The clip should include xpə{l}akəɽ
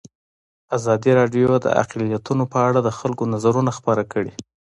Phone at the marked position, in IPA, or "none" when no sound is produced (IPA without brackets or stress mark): ɾ